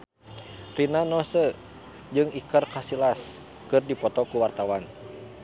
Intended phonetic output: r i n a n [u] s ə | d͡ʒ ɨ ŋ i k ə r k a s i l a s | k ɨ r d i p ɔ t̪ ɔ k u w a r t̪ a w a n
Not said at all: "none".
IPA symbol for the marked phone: ɔ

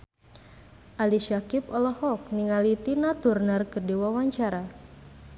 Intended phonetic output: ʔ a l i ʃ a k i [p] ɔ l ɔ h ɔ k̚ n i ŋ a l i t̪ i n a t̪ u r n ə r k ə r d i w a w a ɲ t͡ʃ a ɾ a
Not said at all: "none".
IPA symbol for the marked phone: p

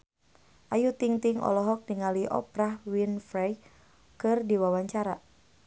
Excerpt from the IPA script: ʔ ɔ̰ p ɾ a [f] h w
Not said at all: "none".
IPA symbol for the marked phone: none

